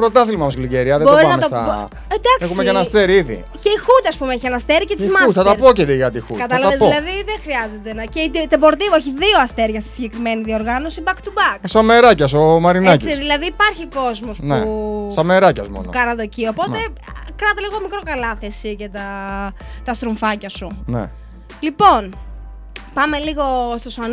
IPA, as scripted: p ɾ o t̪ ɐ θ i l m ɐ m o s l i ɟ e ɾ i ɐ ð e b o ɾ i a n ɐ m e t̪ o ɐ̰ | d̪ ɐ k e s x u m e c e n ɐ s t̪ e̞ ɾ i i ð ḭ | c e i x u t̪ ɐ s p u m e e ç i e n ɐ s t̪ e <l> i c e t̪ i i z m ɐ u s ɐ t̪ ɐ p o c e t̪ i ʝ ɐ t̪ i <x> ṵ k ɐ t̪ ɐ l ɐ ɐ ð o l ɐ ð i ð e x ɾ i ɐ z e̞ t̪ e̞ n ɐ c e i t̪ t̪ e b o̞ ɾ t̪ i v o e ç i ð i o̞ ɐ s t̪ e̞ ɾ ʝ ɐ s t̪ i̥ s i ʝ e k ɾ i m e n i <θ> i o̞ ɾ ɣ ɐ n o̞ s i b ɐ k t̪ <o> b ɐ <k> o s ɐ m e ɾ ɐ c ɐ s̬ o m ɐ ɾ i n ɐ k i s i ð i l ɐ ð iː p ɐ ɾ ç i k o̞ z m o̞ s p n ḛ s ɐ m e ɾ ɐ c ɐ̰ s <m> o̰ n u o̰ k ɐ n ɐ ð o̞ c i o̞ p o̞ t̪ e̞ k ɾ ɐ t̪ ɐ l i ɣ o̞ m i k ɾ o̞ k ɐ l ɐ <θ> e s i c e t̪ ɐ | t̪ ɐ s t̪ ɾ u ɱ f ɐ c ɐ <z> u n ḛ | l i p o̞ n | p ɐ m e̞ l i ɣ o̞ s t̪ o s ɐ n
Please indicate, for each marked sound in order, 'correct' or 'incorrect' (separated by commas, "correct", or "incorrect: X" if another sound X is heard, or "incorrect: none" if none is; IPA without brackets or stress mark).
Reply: incorrect: ɾ, correct, incorrect: ð, incorrect: u, correct, correct, correct, incorrect: s